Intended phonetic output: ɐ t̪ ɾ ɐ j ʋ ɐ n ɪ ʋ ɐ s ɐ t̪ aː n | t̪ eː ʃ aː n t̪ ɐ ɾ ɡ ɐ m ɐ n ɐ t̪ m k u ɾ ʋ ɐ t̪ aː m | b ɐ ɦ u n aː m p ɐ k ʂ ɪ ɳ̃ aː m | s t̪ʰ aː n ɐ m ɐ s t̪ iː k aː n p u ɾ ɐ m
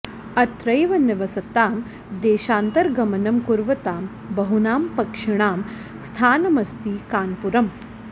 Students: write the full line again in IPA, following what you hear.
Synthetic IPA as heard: ɐ t̪ ɾ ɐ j ʋ ɐ n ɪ ʋ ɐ s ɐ t̪ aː m | d̪ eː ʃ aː n t̪ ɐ ɾ ɡ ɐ m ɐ n ɐ m k u ɾ ʋ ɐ t̪ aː m | b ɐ ɦ u n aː m p ɐ k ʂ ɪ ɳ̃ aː m | s t̪ʰ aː n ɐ m ɐ s t̪ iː k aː n p u ɾ ɐ m